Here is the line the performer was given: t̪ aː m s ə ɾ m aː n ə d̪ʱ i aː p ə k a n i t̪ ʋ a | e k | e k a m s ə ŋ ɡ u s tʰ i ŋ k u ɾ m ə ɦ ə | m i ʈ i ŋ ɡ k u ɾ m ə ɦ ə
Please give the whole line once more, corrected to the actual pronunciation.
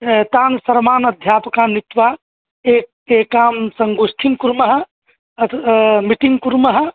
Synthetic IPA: t̪ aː n s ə ɾ m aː n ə d̪ʱ j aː p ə k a n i t̪ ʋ a | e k | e k a m s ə ŋ ɡ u s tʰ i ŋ k u ɾ m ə ɦ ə | m i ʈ i ŋ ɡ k u ɾ m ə ɦ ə